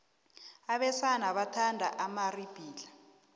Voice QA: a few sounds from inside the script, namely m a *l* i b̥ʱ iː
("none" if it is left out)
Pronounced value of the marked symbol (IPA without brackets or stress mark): r